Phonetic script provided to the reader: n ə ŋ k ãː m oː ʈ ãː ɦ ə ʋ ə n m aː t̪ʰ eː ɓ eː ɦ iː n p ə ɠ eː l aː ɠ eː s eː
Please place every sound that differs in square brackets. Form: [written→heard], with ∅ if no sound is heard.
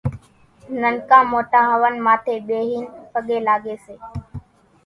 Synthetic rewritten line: n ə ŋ k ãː m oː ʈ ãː ɦ ə ʋ ə n m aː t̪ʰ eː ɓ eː ɦ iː n p ə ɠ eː l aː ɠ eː s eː